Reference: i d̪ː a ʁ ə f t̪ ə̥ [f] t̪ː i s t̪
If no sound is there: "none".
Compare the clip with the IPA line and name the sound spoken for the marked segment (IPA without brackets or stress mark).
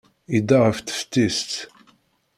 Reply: f